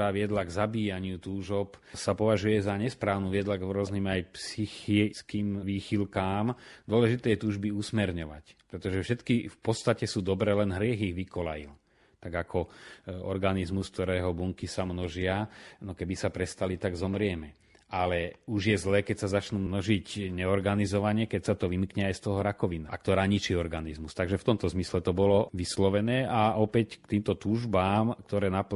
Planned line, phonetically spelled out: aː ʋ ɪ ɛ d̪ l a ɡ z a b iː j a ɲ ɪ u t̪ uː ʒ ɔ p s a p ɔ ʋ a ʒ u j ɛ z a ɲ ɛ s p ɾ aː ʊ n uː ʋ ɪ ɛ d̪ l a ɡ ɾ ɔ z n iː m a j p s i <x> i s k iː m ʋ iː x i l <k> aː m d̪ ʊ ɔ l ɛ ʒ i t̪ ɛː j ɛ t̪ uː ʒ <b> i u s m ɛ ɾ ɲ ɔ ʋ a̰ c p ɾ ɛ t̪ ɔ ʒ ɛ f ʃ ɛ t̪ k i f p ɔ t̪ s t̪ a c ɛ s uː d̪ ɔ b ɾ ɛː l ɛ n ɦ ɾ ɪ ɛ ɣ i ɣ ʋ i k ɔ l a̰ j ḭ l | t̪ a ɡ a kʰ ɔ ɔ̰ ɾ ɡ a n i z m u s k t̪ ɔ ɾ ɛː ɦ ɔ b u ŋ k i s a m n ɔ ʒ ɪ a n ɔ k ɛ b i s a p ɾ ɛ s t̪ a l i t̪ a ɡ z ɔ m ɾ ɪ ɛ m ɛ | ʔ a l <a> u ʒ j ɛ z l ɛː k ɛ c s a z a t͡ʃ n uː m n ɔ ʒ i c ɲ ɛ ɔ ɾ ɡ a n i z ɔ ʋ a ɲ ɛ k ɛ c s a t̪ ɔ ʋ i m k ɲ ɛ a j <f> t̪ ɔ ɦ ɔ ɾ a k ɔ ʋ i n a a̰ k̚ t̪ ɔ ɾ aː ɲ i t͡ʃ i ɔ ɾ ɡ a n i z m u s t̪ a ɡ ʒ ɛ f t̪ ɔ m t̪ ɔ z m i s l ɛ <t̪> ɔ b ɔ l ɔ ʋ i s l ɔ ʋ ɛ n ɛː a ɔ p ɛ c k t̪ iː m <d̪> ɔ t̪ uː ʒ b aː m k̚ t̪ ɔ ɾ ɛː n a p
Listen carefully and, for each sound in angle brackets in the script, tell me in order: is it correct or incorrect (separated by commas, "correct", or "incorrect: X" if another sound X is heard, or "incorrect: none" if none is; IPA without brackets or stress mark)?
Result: correct, correct, correct, incorrect: ɛ, incorrect: s, correct, incorrect: t̪